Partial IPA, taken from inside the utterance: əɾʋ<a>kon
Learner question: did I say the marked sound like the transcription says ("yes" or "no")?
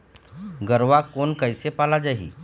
yes